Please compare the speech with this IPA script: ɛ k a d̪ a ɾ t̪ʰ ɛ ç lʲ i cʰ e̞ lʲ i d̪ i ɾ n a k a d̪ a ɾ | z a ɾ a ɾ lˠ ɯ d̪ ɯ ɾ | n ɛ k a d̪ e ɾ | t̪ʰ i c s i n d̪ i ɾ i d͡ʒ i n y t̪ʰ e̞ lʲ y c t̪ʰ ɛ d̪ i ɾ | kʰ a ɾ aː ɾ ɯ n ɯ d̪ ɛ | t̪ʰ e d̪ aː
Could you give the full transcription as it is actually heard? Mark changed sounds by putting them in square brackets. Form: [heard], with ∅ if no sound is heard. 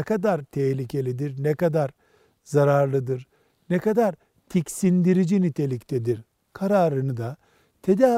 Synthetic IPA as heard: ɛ k a d̪ a ɾ t̪ʰ ɛ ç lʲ i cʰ e̞ lʲ i d̪ i ɾ n [ɛ] k a d̪ a ɾ | z a ɾ a ɾ lˠ ɯ d̪ ɯ ɾ | n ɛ k a d̪ [a] ɾ | t̪ʰ i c s i n d̪ i ɾ i d͡ʒ i n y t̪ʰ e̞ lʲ [i] c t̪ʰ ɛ d̪ i ɾ | kʰ a ɾ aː ɾ ɯ n ɯ d̪ [a] | t̪ʰ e d̪ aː